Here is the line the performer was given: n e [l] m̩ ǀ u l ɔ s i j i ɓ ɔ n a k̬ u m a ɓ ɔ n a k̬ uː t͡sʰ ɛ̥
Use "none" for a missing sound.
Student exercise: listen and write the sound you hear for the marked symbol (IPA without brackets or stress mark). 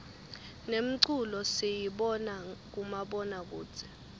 none